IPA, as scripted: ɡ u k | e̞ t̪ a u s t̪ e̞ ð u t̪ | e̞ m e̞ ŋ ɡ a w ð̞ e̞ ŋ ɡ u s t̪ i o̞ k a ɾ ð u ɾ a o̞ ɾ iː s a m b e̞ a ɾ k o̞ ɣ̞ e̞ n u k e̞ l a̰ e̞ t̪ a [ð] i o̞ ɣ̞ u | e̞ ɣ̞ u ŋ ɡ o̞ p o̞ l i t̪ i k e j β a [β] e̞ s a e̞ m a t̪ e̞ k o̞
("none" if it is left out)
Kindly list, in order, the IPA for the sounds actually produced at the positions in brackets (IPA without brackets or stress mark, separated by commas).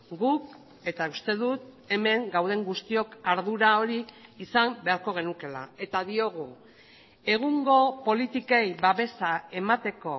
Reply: ð, β